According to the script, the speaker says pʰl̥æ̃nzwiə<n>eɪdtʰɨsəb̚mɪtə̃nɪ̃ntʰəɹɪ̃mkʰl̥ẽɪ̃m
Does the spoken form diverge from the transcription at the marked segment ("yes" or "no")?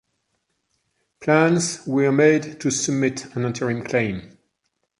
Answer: yes